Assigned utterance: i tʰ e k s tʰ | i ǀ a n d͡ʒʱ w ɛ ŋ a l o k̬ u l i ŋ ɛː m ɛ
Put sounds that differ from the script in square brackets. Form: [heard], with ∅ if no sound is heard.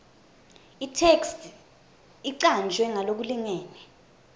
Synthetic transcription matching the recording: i tʰ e k s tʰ | i ǀ a n d͡ʒʱ w ɛ ŋ a l o k̬ u l i ŋ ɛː [n] ɛ